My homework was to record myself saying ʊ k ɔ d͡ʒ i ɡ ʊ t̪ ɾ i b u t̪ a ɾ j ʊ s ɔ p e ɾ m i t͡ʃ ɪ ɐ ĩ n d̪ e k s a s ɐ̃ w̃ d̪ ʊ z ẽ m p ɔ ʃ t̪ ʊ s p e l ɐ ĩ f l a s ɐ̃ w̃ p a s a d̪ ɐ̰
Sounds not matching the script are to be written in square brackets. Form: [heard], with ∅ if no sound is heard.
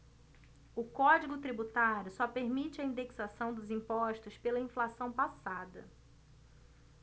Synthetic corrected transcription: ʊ k ɔ d͡ʒ i ɡ ʊ t̪ ɾ i b u t̪ a ɾ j ʊ s ɔ p e ɾ m i t͡ʃ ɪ ɐ ĩ n d̪ e k s a s ɐ̃ w̃ d̪ ʊ z [ĩ] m p ɔ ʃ t̪ ʊ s p e l ɐ ĩ f l a s ɐ̃ w̃ p a s a d̪ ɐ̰